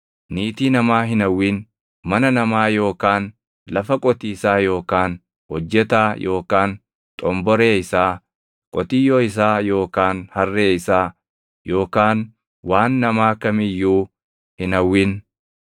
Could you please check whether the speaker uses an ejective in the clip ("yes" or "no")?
yes